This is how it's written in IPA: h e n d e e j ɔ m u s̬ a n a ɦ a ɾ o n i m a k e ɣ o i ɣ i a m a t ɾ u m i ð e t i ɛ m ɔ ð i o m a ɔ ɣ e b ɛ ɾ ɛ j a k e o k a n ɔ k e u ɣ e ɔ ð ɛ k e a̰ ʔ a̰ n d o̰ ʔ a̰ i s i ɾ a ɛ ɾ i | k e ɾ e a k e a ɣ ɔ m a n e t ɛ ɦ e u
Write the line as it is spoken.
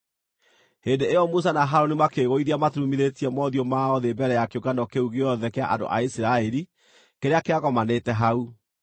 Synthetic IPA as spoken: h e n d e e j ɔ m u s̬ a n a ɦ a ɾ o n i m a k e ɣ o i ð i a m a t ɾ u m i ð e t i ɛ m ɔ ð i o m a ɔ ð e b ɛ ɾ ɛ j a k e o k a n ɔ k e u ɣ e ɔ ð ɛ k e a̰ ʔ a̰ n d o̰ ʔ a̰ i s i ɾ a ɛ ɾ i | k e ɾ e a k e a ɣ ɔ m a n e t ɛ ɦ a u